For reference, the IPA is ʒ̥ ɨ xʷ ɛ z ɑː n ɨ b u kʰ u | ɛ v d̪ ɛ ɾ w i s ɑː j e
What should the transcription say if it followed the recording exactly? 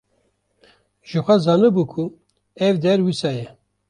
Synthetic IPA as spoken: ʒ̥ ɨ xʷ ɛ z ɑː n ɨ b u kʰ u | ɛ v d̪ ɛ ɾ w i s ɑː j ɛ